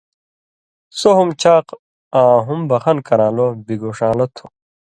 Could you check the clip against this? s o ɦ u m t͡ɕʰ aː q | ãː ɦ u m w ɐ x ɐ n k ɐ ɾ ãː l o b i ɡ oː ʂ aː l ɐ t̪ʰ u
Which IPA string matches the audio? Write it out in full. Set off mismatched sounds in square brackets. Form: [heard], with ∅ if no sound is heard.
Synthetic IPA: s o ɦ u m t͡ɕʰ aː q | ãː ɦ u m [b] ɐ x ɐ n k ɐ ɾ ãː l o b i ɡ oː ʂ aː l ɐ t̪ʰ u